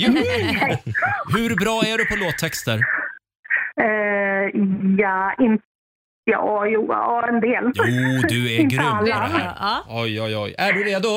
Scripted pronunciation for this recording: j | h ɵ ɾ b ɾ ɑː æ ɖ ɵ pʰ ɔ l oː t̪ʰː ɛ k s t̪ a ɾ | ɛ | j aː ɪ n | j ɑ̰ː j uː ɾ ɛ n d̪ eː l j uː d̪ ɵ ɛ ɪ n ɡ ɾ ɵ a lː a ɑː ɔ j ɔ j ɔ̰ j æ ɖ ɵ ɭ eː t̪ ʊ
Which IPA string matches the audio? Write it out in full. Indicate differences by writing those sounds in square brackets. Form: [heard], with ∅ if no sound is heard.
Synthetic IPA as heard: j | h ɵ ɾ b ɾ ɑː æ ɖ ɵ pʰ ɔ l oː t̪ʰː ɛ k s t̪ [ə] ɾ | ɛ | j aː ɪ n | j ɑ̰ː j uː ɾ ɛ n d̪ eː l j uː d̪ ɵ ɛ ɪ n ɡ ɾ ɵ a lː a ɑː ɔ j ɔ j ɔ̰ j æ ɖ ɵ [ɾ] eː [d̪] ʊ